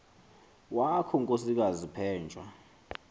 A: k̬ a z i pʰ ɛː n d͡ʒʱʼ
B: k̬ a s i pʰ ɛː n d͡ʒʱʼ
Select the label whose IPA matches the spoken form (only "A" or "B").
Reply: A